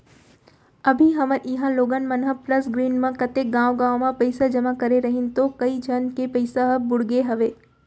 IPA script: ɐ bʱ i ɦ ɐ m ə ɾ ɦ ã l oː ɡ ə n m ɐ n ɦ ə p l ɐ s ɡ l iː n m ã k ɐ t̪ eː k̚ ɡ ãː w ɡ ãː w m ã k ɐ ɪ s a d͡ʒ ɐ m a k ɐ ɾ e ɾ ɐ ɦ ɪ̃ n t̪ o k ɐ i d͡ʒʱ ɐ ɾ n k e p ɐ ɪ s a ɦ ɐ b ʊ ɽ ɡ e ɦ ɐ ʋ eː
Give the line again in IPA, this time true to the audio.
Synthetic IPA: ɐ bʱ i ɦ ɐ m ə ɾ ɦ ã l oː ɡ ə n m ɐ n ɦ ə p l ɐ s ɡ ɾ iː n m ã k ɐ t̪ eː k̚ ɡ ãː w ɡ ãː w m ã p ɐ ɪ s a d͡ʒ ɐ m a k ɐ ɾ e ɾ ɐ ɦ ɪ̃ n t̪ o k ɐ i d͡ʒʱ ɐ n k e p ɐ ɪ s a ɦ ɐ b ʊ ɽ ɡ e ɦ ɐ ʋ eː